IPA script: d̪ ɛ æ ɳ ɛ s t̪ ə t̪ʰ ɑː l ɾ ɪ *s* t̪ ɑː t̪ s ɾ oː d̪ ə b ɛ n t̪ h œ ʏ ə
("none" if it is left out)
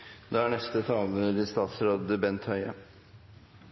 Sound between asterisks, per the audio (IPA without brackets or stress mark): s